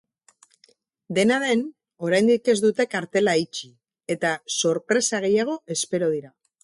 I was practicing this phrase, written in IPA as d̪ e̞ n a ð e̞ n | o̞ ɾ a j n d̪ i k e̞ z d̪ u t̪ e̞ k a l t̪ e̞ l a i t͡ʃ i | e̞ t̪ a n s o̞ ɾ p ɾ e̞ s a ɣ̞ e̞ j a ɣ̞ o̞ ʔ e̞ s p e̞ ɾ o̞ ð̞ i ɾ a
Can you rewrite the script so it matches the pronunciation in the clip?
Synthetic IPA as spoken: d̪ e̞ n a ð e̞ n | o̞ ɾ a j n d̪ i k e̞ z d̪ u t̪ e̞ k a ɾ t̪ e̞ l a i t͡ʃ i | e̞ t̪ a s o̞ ɾ p ɾ e̞ s a ɣ̞ e̞ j a ɣ̞ o̞ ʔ e̞ s p e̞ ɾ o̞ ð̞ i ɾ a